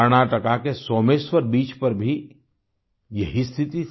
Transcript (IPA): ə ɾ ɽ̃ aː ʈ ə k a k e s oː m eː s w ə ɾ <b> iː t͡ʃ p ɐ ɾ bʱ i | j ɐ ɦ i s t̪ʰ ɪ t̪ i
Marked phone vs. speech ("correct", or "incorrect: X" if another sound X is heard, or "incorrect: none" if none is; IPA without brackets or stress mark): correct